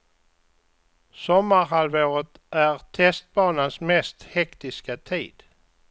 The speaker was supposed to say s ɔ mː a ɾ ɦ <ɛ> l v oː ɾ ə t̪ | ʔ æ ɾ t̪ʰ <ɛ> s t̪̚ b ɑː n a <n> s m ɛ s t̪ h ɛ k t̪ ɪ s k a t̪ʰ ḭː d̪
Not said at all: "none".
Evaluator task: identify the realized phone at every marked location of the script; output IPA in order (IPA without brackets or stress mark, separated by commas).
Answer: a, ɛ, n